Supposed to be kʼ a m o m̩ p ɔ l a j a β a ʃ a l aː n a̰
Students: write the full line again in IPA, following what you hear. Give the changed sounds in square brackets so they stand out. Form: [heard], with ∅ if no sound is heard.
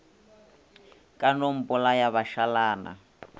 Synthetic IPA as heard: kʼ a [n] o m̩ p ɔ l a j a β a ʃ a l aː n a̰